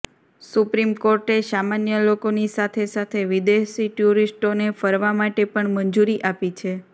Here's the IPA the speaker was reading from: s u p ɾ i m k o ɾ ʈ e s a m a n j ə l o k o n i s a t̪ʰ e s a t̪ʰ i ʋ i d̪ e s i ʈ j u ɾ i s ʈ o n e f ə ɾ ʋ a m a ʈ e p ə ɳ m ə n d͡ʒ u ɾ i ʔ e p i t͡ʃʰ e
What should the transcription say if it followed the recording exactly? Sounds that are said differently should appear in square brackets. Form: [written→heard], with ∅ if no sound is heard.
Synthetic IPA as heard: s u p ɾ i m k o ɾ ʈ e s a m a n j ə l o k o n i s a t̪ʰ e s a t̪ʰ [i→e] ʋ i d̪ e s i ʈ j u ɾ i s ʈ o n e f ə ɾ ʋ a m a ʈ e p ə ɳ m ə n d͡ʒ u ɾ i ʔ [e→a] p i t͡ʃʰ e

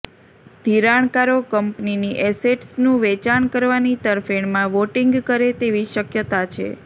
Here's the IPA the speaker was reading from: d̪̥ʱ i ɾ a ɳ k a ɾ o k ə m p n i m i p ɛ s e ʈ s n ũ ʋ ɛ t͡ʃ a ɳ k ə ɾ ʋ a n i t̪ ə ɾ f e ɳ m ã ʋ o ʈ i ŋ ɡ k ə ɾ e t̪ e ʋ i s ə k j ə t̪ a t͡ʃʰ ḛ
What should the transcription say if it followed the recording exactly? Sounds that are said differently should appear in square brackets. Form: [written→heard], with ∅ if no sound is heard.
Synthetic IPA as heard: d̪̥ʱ i ɾ a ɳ k a ɾ o k ə m p n i [m→n] i [p→ʔ] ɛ s e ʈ s n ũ ʋ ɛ t͡ʃ a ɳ k ə ɾ ʋ a n i t̪ ə ɾ f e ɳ m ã ʋ o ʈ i ŋ ɡ k ə ɾ e t̪ e ʋ i [s→ʃ] ə k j ə t̪ a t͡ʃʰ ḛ

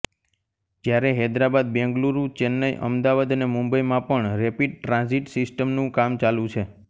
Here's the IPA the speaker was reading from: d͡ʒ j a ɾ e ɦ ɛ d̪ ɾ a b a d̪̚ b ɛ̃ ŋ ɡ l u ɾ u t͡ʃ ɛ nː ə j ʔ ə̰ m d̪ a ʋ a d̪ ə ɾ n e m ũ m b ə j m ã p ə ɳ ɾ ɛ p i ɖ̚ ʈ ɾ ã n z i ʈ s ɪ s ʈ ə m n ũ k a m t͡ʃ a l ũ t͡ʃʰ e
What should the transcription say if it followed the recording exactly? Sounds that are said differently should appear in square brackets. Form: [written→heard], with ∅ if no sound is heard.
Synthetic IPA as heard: d͡ʒ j a ɾ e ɦ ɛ d̪ ɾ a b a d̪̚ b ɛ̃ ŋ ɡ l u ɾ u t͡ʃ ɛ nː ə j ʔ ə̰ m d̪ a ʋ a d̪ ə [ɾ→∅] n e m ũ m b ə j m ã p ə ɳ ɾ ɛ p i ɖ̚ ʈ ɾ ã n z i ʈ s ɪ s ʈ ə m n ũ k a m t͡ʃ a l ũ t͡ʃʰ e

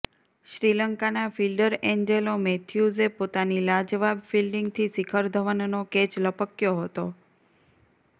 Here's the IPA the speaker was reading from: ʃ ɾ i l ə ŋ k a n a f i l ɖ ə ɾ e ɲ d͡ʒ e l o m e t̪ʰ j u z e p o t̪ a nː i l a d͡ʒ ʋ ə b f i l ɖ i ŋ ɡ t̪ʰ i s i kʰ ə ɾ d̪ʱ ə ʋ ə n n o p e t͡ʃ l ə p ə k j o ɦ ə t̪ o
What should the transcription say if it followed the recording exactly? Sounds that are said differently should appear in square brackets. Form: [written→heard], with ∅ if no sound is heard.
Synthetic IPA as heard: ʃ ɾ i l ə ŋ k a n a f i l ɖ ə ɾ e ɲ d͡ʒ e l o m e t̪ʰ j u z e p o t̪ a [nː→n] i l a d͡ʒ ʋ [ə→a] b f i l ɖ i ŋ ɡ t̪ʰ i s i kʰ ə ɾ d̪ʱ ə ʋ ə n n o [p→k] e t͡ʃ l ə p ə k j o ɦ ə t̪ o

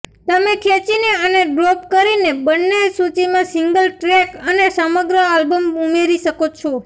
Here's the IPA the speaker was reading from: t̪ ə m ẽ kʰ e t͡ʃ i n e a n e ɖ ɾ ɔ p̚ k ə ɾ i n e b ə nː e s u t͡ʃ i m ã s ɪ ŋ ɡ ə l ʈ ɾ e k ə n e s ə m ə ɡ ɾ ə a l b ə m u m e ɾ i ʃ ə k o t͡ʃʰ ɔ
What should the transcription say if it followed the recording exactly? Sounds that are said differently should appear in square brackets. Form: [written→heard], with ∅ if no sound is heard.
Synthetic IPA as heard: t̪ ə m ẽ kʰ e t͡ʃ i n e [a→ə] n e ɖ ɾ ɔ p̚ k ə ɾ i n e b ə nː e s u t͡ʃ i m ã s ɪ ŋ ɡ ə l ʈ ɾ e k ə n e s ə m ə ɡ ɾ ə a l b ə m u m e ɾ i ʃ ə k o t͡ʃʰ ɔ

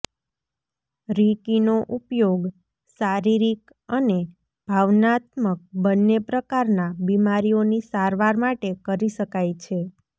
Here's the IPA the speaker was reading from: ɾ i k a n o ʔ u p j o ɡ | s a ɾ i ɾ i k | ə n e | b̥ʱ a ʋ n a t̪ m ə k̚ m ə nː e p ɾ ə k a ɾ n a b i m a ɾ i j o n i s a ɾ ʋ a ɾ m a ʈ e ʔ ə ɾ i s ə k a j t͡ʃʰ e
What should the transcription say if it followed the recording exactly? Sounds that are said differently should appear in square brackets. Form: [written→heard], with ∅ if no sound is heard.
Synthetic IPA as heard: ɾ i k [a→i] n o ʔ u p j o ɡ | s a ɾ i ɾ i k | ə n e | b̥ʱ a ʋ n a t̪ m ə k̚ [m→b] ə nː e p ɾ ə k a ɾ n a b i m a ɾ i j o n i s a ɾ ʋ a ɾ m a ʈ e [ʔ→k] ə ɾ i [s→ʃ] ə k a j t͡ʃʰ e

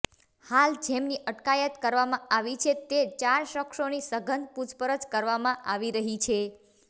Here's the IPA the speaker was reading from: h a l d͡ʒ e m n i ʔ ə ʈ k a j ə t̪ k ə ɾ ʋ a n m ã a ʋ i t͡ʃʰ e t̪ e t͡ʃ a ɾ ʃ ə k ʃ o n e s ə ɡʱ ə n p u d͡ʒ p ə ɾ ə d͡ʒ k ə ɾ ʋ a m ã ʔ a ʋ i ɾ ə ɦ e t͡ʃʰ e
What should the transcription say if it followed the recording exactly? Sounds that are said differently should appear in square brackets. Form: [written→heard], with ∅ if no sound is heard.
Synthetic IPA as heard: h a l d͡ʒ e m n i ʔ ə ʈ k a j ə t̪ k ə ɾ ʋ a [n→∅] m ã a ʋ i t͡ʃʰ e t̪ e t͡ʃ a ɾ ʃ ə k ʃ o n [e→i] s ə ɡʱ ə n p u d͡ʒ p ə ɾ ə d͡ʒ k ə ɾ ʋ a m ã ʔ a ʋ i ɾ ə ɦ [e→i] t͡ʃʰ e

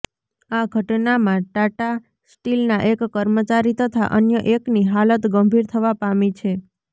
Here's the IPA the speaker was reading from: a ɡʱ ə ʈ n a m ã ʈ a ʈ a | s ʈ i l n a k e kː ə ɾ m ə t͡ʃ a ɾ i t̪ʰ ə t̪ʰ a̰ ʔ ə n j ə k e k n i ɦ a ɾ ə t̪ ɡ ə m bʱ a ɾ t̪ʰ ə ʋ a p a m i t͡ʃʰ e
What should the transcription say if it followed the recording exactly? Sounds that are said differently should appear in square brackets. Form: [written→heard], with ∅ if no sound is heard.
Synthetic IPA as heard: a ɡʱ ə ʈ n a m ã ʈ a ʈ a | s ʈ i l n a [k→ʔ] e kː ə ɾ m ə t͡ʃ a ɾ i [t̪ʰ→t̪] ə t̪ʰ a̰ ʔ ə n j ə [k→ʔ] e k n i ɦ a [ɾ→l] ə t̪ ɡ ə m bʱ [a→i] ɾ t̪ʰ ə ʋ a p a m i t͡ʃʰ e

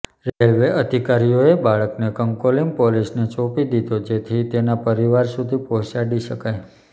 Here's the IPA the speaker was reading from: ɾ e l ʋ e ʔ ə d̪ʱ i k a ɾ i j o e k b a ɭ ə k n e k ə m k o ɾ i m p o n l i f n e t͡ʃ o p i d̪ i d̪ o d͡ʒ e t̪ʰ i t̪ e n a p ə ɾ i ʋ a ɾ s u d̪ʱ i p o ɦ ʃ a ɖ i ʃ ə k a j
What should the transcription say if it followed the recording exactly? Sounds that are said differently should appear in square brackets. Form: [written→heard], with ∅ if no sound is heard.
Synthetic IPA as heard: ɾ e l ʋ e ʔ ə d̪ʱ i k a ɾ i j o e [k→∅] b a ɭ ə k n e k ə [m→ŋ] k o [ɾ→l] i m p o [n→∅] l i [f→s] n e t͡ʃ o p i d̪ i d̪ o d͡ʒ e t̪ʰ i t̪ e n a p ə ɾ i ʋ a ɾ s u d̪ʱ i p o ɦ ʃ a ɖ i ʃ ə k a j

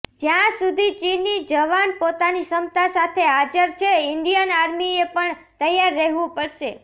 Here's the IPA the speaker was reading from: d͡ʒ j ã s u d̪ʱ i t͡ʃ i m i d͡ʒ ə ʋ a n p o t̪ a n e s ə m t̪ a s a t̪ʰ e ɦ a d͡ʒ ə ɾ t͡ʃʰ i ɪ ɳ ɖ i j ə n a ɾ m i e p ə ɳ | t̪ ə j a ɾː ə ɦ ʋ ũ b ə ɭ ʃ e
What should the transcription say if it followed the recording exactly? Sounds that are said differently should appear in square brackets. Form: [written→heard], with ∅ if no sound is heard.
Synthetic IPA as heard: d͡ʒ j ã s u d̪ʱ i t͡ʃ i [m→n] i d͡ʒ ə ʋ a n p o t̪ a n [e→i] s ə m t̪ a s a t̪ʰ e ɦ a d͡ʒ ə ɾ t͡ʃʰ [i→e] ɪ ɳ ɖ i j ə n a ɾ m i e p ə ɳ | t̪ ə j a ɾː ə ɦ ʋ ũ [b→p] ə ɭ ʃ e

